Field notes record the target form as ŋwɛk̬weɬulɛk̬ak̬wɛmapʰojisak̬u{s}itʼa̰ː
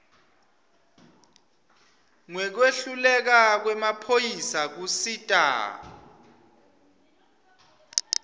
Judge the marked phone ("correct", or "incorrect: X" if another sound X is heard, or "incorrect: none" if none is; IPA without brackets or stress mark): correct